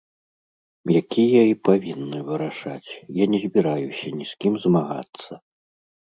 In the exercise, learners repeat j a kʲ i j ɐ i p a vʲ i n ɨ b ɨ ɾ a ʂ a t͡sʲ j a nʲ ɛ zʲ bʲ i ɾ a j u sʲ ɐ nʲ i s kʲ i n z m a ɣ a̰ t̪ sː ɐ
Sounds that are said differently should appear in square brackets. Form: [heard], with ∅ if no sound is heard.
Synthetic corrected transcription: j a kʲ i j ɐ i p a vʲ i [nː] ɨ [v] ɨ ɾ a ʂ a t͡sʲ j a nʲ ɛ zʲ bʲ i ɾ a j u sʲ ɐ nʲ i s kʲ i [m] z m a ɣ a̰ t̪ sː ɐ